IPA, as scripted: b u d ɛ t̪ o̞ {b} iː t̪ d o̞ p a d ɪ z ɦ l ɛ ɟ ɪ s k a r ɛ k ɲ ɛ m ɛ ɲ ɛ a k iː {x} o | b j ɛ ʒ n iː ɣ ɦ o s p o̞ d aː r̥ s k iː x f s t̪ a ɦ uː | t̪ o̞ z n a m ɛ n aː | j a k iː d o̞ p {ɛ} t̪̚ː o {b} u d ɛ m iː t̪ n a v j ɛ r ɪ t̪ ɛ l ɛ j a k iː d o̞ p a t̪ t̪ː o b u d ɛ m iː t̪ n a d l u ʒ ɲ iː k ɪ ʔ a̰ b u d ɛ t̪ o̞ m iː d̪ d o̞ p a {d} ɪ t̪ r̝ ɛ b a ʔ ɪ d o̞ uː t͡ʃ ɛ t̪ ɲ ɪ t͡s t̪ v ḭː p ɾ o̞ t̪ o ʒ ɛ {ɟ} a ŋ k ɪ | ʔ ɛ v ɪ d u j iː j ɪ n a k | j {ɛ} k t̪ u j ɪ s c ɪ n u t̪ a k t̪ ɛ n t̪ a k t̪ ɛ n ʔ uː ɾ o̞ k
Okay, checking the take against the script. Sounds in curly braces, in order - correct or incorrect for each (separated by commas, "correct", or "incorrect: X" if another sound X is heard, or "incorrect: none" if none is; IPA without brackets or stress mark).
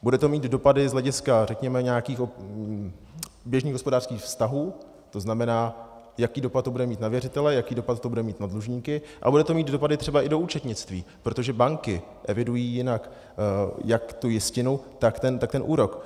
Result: incorrect: m, correct, incorrect: a, correct, correct, incorrect: b, incorrect: a